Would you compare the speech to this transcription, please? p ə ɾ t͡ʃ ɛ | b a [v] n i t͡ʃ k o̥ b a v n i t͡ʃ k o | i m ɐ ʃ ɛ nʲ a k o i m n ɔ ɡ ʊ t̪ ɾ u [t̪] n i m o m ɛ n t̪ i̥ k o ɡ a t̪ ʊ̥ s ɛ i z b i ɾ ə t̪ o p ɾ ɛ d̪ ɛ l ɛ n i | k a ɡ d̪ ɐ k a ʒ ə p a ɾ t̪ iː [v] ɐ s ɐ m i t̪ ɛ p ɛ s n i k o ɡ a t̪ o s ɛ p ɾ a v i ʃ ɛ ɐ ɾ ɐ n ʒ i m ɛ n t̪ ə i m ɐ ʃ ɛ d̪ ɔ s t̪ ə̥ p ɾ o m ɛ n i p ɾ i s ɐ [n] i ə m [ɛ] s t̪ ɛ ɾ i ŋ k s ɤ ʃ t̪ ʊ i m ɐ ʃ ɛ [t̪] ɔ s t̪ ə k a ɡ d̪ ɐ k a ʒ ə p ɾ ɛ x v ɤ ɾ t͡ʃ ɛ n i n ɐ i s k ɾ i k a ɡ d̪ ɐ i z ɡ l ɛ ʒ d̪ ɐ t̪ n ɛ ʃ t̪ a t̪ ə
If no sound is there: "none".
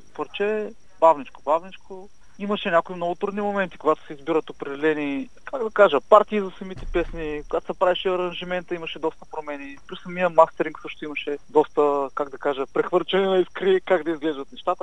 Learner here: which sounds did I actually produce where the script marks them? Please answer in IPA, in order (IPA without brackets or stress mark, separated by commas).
v, d̪, z, m, a, d̪